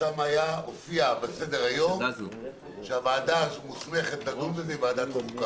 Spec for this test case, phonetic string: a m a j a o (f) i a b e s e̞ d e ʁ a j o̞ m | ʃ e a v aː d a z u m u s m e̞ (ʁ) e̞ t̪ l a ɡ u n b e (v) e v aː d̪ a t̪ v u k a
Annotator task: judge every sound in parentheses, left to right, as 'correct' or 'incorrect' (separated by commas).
correct, incorrect, incorrect